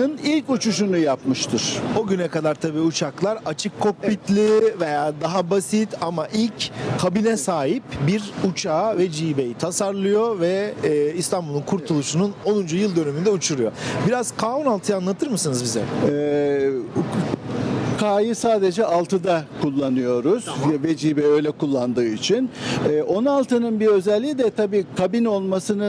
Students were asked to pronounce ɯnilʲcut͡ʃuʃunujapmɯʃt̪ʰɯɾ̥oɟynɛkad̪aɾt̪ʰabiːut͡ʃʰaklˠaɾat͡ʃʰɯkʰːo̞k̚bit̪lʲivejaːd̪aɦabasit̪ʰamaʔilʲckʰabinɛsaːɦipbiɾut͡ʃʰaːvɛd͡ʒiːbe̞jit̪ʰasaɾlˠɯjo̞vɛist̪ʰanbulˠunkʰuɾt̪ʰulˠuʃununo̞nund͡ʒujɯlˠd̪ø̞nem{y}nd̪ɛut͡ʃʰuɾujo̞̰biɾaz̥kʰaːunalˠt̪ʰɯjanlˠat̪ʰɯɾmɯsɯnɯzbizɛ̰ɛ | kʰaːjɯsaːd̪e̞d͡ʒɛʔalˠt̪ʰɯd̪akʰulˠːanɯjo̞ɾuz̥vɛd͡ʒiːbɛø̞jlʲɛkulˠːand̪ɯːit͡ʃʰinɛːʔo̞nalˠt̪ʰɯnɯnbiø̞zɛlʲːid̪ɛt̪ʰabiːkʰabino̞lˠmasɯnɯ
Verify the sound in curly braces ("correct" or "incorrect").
correct